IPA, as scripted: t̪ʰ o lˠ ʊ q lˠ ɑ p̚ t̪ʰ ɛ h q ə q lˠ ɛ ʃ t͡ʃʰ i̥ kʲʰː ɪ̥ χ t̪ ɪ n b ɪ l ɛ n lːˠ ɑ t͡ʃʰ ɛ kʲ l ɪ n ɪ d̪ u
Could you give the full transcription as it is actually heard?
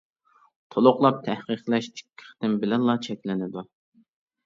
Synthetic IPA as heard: t̪ʰ o lˠ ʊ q lˠ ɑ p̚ t̪ʰ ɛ h q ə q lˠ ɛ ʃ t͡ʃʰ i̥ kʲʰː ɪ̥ χ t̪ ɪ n b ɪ l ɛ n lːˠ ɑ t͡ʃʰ ɛ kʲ l ɪ n ɪ d̪ u